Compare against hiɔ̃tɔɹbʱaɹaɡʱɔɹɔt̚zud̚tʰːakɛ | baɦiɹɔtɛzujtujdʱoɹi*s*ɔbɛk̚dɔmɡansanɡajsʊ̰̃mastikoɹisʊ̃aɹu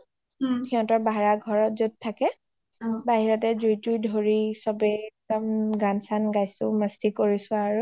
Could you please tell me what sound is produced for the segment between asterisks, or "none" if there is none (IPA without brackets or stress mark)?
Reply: s